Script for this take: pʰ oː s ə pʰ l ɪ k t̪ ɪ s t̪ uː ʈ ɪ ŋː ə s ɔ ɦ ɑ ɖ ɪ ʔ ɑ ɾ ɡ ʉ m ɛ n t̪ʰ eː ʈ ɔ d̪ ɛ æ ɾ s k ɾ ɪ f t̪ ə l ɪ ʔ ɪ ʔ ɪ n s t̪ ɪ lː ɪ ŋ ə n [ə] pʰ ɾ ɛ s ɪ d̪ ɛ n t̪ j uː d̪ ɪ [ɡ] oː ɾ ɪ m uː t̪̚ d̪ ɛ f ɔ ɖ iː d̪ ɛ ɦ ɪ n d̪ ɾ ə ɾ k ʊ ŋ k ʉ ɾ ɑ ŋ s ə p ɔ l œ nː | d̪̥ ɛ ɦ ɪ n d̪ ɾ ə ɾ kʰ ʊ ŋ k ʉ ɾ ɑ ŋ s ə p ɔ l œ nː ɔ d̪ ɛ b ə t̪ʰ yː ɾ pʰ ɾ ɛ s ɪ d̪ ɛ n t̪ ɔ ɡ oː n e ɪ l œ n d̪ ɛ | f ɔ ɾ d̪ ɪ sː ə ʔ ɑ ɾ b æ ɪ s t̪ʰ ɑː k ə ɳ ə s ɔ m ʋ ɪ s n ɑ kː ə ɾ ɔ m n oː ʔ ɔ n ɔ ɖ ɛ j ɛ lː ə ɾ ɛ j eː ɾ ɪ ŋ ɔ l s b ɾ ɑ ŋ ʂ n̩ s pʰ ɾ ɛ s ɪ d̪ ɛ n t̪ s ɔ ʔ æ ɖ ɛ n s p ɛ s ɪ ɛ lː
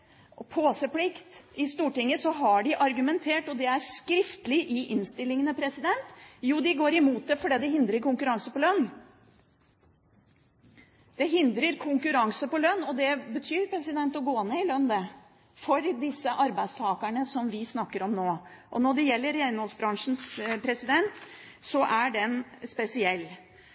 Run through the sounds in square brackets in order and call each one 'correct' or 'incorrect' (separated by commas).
correct, correct